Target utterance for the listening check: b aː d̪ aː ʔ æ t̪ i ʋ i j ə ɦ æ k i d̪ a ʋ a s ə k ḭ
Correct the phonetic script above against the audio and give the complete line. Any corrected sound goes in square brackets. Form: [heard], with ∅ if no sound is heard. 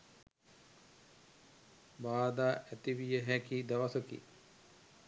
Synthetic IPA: b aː d̪ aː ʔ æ t̪ i ʋ i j ə ɦ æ k i d̪ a ʋ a s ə k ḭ